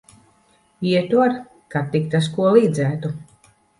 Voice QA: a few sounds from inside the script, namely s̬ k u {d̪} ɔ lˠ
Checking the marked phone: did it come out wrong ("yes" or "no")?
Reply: yes